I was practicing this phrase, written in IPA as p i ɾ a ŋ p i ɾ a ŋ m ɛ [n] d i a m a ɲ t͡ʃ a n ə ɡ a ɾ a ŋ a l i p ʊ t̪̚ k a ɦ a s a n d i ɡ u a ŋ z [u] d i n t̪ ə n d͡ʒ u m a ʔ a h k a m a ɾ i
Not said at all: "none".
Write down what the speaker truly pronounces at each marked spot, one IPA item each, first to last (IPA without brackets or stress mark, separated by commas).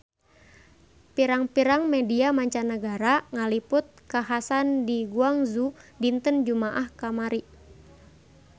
none, u